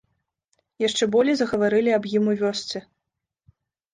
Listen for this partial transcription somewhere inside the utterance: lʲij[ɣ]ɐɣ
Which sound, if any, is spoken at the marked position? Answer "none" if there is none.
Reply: z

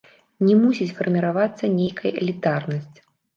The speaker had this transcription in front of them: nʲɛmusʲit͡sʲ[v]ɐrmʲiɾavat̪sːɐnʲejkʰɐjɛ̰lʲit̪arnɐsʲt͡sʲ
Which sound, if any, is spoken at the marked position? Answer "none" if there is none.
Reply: f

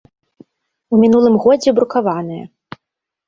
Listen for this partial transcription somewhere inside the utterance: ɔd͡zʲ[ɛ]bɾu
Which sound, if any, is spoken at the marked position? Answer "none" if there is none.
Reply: ɛ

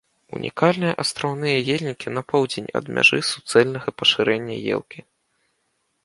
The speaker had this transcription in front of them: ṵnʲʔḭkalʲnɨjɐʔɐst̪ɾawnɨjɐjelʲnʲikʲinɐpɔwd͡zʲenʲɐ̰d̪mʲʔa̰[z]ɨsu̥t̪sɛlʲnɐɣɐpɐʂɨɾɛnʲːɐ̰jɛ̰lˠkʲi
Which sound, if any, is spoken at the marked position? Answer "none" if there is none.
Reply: ʐ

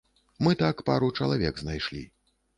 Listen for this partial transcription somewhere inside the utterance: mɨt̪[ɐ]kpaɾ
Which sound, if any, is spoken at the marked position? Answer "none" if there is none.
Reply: a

